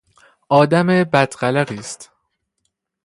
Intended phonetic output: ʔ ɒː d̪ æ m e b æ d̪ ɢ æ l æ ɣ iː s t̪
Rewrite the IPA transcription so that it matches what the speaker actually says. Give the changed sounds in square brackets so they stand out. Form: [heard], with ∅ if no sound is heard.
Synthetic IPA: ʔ ɒː d̪ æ m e b æ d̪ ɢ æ l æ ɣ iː s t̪